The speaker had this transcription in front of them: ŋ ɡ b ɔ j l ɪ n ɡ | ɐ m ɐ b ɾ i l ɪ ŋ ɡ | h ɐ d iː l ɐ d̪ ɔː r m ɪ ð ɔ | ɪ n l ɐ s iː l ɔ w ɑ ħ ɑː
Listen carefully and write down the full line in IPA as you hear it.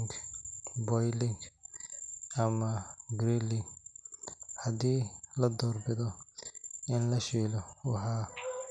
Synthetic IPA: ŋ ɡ b ɔ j l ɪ ŋ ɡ | ɐ m ɐ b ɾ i l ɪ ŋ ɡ | h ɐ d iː l ɐ d̪ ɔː r b ɪ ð ɔ | ɪ n l ɐ ʃ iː l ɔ w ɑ ħ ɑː